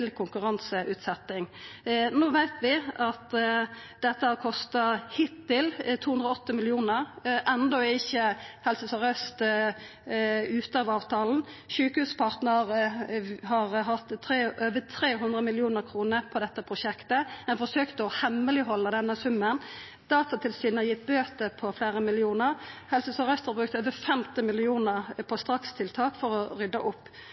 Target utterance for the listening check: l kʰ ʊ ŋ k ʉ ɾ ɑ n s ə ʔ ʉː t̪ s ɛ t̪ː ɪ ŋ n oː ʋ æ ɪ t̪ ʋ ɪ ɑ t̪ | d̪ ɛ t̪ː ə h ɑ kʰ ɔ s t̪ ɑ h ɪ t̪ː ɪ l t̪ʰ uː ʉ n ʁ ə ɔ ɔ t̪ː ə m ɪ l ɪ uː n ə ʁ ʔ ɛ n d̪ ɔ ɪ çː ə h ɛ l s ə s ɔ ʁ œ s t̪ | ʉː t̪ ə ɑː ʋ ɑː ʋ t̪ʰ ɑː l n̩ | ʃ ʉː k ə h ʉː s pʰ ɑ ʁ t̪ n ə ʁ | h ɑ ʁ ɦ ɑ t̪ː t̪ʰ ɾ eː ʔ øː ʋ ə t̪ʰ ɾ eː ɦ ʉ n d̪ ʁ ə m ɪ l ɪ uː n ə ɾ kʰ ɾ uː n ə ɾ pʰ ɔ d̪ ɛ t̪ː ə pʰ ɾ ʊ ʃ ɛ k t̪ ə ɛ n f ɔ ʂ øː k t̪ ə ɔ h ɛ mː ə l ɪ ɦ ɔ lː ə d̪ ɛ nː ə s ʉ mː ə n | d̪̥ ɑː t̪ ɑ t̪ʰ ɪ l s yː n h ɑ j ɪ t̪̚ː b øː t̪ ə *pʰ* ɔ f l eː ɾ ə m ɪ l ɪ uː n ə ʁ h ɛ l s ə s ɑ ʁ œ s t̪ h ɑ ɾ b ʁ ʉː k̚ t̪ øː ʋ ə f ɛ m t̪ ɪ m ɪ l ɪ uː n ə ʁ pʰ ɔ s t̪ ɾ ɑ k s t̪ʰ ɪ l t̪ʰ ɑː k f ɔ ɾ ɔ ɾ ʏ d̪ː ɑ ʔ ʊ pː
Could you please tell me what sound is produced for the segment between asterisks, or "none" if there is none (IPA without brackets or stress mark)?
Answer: pʰ